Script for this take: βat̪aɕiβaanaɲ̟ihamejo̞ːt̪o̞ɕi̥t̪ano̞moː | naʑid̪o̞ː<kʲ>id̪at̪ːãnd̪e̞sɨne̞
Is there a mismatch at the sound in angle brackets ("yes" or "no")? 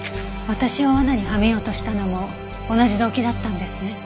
no